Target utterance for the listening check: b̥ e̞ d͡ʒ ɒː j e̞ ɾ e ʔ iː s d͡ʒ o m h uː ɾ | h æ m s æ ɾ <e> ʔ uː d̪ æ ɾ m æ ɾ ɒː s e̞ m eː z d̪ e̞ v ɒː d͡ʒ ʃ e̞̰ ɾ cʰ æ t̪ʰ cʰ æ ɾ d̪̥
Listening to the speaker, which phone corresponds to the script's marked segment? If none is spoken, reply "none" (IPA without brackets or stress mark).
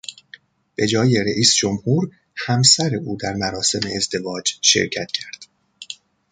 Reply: e